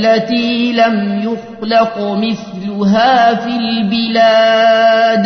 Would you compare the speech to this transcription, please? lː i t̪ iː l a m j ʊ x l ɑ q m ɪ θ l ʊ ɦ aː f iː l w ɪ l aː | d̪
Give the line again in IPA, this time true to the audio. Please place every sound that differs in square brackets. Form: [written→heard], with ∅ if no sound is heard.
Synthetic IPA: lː [i→a] t̪ iː l a m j ʊ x l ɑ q m ɪ θ l ʊ ɦ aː f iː l [w→b] ɪ l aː | d̪